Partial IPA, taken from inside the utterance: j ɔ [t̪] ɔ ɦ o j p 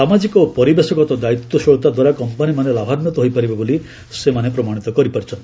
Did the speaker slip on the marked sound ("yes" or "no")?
no